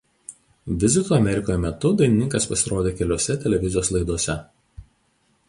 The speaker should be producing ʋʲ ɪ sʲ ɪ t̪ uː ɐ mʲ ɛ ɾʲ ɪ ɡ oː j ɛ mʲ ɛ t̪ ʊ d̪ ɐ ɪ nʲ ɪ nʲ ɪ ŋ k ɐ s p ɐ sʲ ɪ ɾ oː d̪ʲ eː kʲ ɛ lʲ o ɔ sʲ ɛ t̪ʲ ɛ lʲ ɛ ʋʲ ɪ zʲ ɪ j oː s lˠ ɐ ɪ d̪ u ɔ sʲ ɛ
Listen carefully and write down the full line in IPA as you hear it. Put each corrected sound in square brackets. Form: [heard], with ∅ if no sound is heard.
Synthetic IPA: ʋʲ ɪ [zʲ] ɪ t̪ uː ɐ mʲ ɛ ɾʲ ɪ [k] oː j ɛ mʲ ɛ t̪ ʊ d̪ ɐ ɪ nʲ ɪ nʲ ɪ ŋ k ɐ s p ɐ sʲ ɪ ɾ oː d̪ʲ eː kʲ ɛ lʲ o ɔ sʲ ɛ t̪ʲ ɛ lʲ ɛ ʋʲ ɪ zʲ ɪ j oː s lˠ ɐ ɪ d̪ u ɔ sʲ ɛ

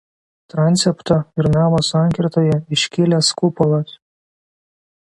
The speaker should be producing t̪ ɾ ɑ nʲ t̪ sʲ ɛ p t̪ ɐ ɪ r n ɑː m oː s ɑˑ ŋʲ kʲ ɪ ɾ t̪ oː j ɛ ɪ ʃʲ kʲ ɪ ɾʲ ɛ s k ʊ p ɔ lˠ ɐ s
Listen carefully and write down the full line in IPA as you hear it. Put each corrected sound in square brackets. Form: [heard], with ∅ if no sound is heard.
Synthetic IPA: t̪ ɾ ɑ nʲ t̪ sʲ ɛ p t̪ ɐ ɪ [ɾ] n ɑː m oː s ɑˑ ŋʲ kʲ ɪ ɾ t̪ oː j ɛ ɪ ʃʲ kʲ ɪ [lʲ] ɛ s k ʊ p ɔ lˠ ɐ s

